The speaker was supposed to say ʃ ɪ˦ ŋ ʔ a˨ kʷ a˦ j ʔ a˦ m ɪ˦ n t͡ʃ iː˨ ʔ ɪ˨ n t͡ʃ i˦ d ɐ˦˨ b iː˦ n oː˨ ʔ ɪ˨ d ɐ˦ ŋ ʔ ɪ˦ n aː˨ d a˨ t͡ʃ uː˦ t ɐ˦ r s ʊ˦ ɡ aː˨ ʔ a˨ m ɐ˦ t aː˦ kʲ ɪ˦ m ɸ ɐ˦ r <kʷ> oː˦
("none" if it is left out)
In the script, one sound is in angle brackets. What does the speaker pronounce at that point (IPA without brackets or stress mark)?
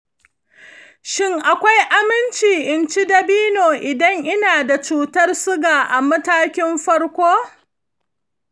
kʷ